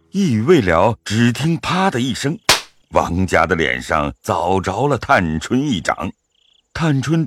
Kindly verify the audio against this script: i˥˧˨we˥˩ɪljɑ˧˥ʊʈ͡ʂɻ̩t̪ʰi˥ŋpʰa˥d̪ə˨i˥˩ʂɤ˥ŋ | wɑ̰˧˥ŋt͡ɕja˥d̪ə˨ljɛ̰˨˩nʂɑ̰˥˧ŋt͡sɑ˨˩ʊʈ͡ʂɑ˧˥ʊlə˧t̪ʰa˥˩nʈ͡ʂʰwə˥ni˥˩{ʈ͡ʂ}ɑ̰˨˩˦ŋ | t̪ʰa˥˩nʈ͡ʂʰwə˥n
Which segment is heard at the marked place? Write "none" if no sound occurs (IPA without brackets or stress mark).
ʈ͡ʂ